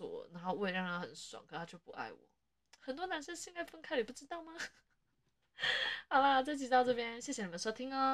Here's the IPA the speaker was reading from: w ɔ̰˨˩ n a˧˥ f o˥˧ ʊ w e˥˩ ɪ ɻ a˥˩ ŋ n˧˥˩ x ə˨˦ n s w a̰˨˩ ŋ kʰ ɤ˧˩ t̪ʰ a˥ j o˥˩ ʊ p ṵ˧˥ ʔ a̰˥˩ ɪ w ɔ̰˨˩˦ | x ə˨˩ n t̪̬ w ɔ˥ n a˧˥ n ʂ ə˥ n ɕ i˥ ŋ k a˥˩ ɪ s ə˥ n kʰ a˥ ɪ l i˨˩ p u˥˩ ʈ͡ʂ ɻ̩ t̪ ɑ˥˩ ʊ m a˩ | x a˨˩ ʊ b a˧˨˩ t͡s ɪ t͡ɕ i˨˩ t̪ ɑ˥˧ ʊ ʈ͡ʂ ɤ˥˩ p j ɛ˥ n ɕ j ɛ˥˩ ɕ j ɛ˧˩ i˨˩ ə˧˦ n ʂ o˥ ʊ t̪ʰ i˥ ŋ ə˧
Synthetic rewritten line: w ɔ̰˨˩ n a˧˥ x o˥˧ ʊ w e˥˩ ɪ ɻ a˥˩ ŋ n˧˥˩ x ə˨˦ n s w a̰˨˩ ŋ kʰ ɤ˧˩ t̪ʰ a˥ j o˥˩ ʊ p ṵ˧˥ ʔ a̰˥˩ ɪ w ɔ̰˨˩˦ | x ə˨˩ n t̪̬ w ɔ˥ n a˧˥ n ʂ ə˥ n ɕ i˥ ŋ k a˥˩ ɪ f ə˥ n kʰ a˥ ɪ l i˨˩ p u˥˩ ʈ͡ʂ ɻ̩ t̪ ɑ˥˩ ʊ m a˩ | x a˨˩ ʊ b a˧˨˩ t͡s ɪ t͡ɕ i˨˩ t̪ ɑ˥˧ ʊ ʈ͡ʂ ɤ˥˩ p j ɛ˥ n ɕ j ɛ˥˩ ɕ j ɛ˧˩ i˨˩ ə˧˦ n ʂ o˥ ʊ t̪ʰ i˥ ŋ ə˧